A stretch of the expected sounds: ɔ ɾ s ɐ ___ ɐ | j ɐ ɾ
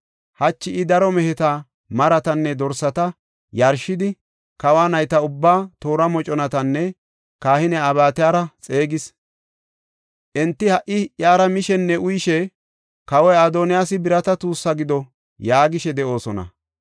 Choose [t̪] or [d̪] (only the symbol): t̪